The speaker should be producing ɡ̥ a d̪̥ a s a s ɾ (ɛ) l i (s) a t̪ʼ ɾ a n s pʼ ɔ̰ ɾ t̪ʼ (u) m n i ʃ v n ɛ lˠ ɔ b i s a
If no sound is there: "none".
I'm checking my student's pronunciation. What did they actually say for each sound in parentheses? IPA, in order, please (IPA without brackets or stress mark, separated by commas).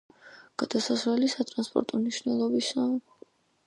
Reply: ɛ, s, ɔ